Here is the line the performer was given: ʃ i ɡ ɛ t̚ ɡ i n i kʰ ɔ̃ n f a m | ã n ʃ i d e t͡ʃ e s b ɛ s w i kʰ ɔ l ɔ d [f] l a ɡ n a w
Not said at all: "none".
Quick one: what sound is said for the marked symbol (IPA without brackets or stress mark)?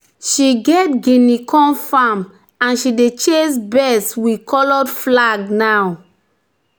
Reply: f